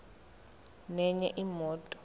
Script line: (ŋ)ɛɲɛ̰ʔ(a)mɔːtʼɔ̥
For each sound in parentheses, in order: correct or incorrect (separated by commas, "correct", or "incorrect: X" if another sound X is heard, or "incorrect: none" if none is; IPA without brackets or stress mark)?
incorrect: n, incorrect: i